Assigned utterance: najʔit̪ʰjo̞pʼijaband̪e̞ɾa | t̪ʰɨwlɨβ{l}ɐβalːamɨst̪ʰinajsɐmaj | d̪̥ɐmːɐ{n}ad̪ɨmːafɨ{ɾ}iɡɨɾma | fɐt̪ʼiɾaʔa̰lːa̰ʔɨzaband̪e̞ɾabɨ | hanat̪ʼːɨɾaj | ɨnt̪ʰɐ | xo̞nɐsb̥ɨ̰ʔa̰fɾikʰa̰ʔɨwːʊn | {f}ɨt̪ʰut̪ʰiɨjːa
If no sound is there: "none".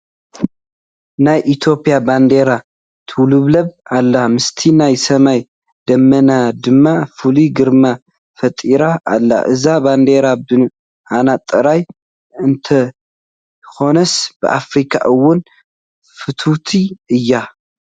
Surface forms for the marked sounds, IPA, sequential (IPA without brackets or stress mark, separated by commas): l, n, l, f